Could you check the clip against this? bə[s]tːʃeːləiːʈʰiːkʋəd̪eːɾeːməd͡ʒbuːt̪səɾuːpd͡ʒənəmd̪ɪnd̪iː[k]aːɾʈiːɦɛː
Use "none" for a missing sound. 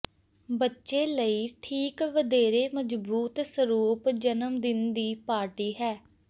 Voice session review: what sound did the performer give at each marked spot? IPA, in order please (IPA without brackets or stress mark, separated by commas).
none, p